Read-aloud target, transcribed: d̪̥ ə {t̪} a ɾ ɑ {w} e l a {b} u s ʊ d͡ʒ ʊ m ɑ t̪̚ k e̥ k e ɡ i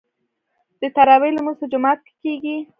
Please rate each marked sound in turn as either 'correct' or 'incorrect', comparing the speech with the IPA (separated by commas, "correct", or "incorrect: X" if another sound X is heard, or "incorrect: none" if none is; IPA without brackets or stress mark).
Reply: correct, correct, incorrect: m